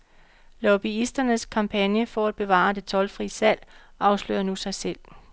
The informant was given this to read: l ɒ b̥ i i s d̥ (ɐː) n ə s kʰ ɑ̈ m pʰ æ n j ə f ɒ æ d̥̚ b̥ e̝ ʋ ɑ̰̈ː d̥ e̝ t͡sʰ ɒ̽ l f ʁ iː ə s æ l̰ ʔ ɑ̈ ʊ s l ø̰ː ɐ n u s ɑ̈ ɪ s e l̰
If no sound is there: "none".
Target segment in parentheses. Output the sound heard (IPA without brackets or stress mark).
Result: ɐ